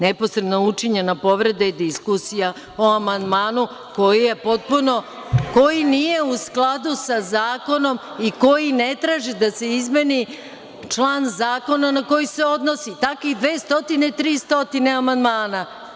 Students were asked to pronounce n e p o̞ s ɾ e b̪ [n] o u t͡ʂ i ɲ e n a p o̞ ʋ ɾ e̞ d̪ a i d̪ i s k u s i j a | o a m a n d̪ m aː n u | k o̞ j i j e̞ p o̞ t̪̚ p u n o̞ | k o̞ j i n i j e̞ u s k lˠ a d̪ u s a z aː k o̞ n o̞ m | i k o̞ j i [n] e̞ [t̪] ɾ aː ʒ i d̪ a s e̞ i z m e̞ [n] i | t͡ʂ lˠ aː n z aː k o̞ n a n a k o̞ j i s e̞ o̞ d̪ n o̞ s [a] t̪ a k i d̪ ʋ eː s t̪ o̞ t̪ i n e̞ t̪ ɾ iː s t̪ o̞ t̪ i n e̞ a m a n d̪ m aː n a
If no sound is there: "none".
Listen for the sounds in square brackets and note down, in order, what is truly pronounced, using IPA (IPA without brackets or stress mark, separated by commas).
n, n, t̪, n, i